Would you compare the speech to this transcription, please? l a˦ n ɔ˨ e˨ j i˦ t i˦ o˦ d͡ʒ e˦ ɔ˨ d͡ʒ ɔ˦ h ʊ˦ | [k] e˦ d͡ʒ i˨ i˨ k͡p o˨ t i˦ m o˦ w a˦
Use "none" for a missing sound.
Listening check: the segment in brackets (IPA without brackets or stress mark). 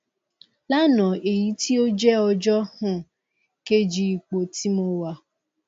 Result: k